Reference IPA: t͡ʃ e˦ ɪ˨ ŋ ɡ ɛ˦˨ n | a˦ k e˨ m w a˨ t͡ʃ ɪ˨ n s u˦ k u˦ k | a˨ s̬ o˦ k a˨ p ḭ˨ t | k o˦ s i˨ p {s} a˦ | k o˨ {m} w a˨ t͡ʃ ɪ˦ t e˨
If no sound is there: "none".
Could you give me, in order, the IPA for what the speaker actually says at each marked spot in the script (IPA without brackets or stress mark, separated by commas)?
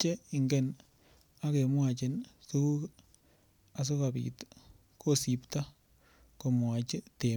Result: t, m